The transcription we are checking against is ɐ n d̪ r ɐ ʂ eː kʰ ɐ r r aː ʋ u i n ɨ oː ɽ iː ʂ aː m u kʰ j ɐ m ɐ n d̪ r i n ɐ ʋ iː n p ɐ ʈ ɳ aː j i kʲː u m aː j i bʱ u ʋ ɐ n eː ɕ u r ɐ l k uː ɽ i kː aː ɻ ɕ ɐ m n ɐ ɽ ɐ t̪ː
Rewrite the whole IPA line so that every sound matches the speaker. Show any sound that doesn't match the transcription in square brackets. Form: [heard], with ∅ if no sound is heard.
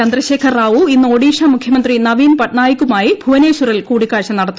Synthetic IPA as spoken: ɐ n d̪ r ɐ [ɕ] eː kʰ ɐ r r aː ʋ u i [nː] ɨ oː ɽ iː ʂ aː m u kʰ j ɐ m ɐ n d̪ r i n ɐ ʋ iː n p ɐ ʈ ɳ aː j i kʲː u m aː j i bʱ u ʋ ɐ n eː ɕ u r ɐ l k uː ɽ i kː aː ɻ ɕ ɐ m n ɐ ɽ ɐ t̪ː